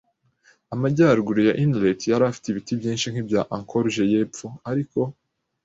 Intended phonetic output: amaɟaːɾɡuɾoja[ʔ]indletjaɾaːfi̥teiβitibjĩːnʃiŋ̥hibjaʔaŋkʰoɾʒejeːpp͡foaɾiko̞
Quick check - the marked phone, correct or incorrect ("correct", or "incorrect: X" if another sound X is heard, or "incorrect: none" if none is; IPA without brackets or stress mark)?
correct